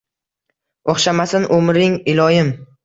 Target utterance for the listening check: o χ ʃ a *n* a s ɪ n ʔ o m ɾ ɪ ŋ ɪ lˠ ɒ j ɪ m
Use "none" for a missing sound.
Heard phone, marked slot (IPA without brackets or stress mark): m